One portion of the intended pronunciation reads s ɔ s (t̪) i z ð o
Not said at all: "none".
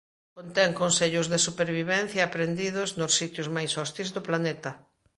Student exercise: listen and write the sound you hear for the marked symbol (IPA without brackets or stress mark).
t̪